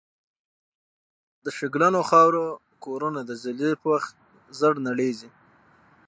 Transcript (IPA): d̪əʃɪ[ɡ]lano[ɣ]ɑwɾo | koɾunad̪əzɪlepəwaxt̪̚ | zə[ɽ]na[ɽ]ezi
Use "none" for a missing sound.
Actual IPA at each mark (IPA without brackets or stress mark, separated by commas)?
ɡ, x, ɽ, ɽ